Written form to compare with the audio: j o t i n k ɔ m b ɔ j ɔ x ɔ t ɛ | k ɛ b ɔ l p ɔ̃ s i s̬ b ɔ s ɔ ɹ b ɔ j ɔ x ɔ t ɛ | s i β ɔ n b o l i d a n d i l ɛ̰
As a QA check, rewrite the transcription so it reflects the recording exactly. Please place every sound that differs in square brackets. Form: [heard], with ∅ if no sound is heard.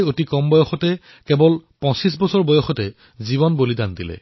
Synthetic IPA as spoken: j o t i [∅] k ɔ m b ɔ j ɔ x ɔ t ɛ | k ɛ b ɔ l p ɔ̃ s i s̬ b ɔ s ɔ ɹ b ɔ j ɔ x ɔ t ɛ | [z] i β ɔ n b o l i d a n d i l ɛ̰